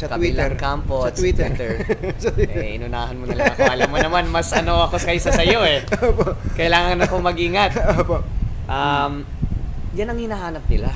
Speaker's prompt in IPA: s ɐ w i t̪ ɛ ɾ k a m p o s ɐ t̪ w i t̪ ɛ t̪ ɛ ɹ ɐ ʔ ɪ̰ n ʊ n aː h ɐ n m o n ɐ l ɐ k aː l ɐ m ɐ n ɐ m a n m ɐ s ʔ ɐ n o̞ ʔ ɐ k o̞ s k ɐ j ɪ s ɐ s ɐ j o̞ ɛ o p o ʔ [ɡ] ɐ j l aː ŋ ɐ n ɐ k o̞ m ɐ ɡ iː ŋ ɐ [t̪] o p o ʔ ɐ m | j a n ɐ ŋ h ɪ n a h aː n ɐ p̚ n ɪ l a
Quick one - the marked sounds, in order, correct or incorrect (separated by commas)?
incorrect, correct